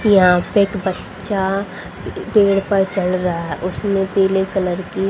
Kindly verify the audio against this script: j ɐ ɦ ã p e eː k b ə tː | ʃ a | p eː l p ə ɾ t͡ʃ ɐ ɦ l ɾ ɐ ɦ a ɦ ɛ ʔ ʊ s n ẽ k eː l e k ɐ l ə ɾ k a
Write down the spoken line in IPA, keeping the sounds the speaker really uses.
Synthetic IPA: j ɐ ɦ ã p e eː k b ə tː | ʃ a | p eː ɽ p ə ɾ t͡ʃ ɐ l ɾ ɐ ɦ a ɦ ɛ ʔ ʊ s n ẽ p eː l e k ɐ l ə ɾ k i